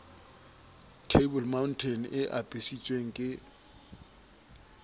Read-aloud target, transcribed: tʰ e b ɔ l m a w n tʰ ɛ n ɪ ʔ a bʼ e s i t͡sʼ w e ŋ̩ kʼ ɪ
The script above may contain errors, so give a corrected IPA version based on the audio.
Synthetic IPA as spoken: tʰ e b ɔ l m a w n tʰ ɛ n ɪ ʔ a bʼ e s i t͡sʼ w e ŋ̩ kʼ ɪ